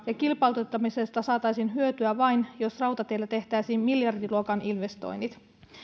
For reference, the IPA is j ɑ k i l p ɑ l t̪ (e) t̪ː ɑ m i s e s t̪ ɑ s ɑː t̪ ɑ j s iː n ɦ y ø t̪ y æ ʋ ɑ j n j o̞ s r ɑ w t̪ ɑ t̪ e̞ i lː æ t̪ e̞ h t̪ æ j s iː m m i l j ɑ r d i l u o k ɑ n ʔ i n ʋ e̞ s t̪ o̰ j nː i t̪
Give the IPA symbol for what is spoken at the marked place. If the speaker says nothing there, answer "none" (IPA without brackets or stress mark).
e